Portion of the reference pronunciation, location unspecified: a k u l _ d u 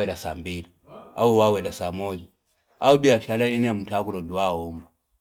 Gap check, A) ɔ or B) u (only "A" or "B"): A